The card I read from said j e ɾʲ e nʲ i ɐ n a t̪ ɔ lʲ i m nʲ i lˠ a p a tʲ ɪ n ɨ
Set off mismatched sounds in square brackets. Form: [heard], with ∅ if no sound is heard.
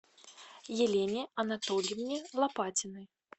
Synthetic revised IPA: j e [lʲ] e nʲ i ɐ n a t̪ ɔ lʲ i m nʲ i lˠ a p a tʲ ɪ n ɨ